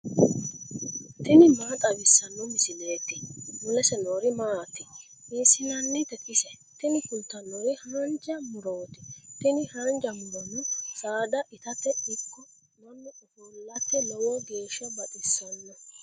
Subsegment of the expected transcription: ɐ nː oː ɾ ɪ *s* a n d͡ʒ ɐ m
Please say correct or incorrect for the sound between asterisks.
incorrect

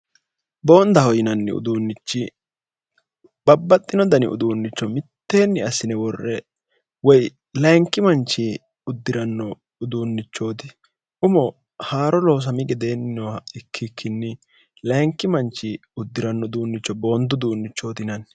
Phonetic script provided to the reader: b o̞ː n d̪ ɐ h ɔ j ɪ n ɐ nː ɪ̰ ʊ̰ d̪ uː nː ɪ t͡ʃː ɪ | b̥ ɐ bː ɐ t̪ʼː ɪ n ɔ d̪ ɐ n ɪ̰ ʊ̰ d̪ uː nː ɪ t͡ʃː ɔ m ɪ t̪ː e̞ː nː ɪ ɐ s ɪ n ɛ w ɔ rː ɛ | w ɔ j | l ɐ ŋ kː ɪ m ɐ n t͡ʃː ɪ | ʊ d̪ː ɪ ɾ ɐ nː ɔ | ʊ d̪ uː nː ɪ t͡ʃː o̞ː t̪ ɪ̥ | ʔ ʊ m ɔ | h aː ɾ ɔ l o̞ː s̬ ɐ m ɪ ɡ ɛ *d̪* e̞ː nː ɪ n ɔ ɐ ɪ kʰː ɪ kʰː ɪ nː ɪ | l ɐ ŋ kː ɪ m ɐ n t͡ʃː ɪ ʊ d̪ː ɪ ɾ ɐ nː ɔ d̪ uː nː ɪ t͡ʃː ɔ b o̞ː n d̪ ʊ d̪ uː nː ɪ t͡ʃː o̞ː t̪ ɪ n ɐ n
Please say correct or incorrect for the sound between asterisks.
correct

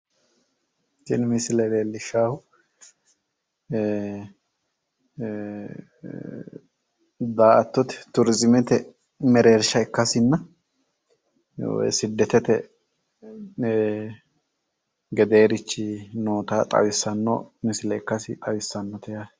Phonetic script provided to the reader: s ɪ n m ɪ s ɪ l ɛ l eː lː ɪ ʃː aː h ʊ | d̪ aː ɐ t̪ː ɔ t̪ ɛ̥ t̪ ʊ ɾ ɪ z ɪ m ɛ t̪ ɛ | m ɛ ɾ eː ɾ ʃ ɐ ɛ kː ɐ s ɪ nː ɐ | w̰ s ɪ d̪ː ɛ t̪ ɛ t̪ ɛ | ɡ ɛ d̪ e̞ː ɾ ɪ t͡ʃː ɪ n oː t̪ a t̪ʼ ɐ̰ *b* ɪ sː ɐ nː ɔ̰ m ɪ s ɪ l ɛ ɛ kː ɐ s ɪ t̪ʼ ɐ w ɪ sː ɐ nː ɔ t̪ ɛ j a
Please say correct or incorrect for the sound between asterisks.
incorrect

